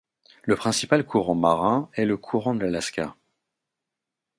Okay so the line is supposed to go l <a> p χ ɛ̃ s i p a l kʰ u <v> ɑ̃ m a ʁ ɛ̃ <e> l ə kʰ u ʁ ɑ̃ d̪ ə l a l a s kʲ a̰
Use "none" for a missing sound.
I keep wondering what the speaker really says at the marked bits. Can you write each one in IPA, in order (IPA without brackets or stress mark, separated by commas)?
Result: ə, ʁ, ɛ